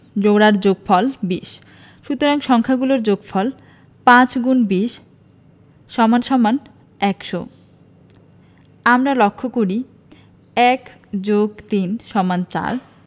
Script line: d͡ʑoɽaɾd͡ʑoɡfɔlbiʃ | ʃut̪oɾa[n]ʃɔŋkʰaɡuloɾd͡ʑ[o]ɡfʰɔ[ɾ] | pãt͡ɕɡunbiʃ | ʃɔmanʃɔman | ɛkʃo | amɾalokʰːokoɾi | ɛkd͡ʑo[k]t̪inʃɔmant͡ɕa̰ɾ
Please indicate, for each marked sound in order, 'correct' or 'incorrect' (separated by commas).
incorrect, correct, incorrect, incorrect